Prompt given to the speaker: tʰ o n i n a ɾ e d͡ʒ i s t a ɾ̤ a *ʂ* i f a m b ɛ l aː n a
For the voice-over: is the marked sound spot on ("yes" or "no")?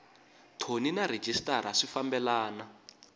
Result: yes